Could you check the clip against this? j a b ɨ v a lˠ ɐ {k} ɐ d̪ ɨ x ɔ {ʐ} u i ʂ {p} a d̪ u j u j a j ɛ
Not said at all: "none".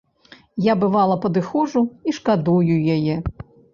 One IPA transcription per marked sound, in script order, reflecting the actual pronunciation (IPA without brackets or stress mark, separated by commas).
p, ʐ, k